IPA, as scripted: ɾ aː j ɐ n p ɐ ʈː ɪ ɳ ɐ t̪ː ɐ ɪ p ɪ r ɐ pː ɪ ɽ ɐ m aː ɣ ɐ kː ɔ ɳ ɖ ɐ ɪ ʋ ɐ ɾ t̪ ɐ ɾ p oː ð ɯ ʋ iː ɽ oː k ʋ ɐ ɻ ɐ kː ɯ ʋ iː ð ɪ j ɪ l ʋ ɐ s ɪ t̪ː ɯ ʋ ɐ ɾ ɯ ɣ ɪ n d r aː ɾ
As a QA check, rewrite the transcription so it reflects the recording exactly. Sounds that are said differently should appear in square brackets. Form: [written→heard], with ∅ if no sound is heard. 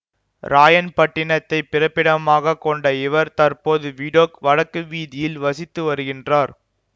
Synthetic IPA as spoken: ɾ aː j ɐ n p ɐ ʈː ɪ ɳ ɐ t̪ː ɐ ɪ p ɪ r ɐ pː ɪ ɽ ɐ m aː ɣ ɐ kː ɔ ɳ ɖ ɐ ɪ ʋ ɐ ɾ t̪ ɐ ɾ p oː ð ɯ ʋ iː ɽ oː k ʋ ɐ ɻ ɐ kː ɯ ʋ iː ð ɪ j ɪ l ʋ ɐ s ɪ t̪ː ɯ ʋ ɐ ɾ ɯ ɣ ɪ n d r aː ɾ

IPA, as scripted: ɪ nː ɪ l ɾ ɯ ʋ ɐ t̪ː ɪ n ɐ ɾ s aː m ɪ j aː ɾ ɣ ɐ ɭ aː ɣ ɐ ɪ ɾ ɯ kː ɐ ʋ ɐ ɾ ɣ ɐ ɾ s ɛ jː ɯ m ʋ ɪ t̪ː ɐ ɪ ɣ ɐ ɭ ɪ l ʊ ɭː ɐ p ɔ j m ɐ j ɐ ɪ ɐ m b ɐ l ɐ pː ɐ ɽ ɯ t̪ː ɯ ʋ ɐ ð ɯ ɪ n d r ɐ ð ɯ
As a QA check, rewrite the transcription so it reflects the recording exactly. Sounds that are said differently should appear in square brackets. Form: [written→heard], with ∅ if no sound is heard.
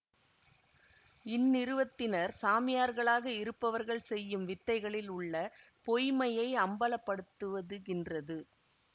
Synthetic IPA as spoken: ɪ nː ɪ [l→∅] ɾ ɯ ʋ ɐ t̪ː ɪ n ɐ ɾ s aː m ɪ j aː ɾ ɣ ɐ ɭ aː ɣ ɐ ɪ ɾ ɯ [kː→pː] ɐ ʋ ɐ ɾ ɣ ɐ [ɾ→ɭ] s ɛ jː ɯ m ʋ ɪ t̪ː ɐ ɪ ɣ ɐ ɭ ɪ l ʊ ɭː ɐ p ɔ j m ɐ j ɐ ɪ ɐ m b ɐ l ɐ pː ɐ ɽ ɯ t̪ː ɯ ʋ ɐ ð ɯ ɪ n d r ɐ ð ɯ

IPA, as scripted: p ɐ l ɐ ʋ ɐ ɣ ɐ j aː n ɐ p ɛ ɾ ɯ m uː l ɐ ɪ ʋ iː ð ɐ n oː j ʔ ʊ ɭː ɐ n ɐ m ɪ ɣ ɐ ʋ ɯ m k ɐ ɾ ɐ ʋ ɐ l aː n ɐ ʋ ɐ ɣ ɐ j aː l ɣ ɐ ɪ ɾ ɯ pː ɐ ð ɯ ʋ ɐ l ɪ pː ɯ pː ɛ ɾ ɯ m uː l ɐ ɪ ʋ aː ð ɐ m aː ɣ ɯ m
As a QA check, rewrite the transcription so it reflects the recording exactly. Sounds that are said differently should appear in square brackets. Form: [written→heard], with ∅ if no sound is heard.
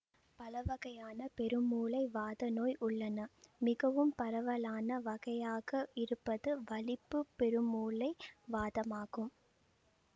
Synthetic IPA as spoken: p ɐ l ɐ ʋ ɐ ɣ ɐ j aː n ɐ p ɛ ɾ ɯ m uː l ɐ ɪ ʋ [iː→aː] ð ɐ n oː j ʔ ʊ ɭː ɐ n ɐ m ɪ ɣ ɐ ʋ ɯ m [k→p] ɐ ɾ ɐ ʋ ɐ l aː n ɐ ʋ ɐ ɣ ɐ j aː [l→∅] ɣ ɐ ɪ ɾ ɯ pː ɐ ð ɯ ʋ ɐ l ɪ pː ɯ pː ɛ ɾ ɯ m uː l ɐ ɪ ʋ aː ð ɐ m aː ɣ ɯ m

